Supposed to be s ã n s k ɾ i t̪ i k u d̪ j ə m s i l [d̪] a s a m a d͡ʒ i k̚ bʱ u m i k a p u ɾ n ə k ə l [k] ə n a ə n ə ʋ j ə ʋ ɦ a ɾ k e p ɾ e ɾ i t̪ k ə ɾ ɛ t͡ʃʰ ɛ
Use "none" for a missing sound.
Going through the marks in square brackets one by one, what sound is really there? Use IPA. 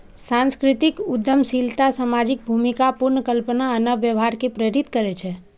t̪, p

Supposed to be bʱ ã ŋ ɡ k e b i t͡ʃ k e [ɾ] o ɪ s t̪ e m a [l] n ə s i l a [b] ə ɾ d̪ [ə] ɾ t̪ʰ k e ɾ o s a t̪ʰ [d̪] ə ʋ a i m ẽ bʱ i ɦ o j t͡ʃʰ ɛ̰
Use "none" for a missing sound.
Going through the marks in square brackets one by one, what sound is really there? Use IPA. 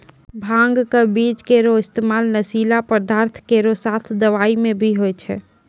ɾ, l, p, a, d̪

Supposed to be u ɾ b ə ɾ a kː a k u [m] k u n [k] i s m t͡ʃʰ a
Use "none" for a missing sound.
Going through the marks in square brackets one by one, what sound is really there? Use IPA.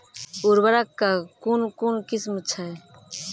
n, k

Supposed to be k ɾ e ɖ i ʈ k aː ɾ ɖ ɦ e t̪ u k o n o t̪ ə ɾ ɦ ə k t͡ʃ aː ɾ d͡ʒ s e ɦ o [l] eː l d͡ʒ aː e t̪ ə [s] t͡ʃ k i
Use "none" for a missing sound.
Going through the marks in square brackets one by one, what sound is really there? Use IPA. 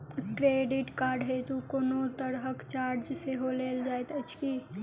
l, none

